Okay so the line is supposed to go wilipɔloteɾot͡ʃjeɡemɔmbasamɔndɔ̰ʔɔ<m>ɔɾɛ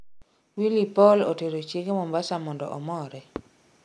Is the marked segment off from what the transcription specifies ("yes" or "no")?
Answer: no